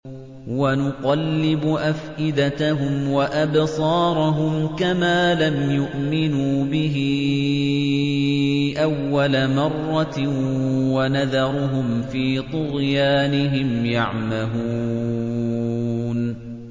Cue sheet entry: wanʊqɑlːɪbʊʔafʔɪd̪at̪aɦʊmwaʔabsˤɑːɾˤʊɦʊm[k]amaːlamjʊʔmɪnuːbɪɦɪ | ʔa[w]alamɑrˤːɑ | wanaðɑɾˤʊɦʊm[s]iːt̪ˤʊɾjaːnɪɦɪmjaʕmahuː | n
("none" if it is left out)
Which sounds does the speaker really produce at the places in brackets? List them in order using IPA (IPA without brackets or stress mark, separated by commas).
k, wː, f